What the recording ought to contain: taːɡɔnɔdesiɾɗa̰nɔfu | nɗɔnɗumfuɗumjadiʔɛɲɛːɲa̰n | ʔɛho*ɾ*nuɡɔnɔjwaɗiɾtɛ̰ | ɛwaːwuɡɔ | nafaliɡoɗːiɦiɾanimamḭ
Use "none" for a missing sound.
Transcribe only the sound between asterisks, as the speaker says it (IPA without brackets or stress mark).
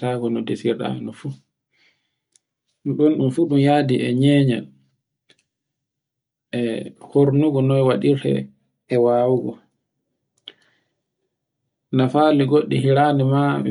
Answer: ɾ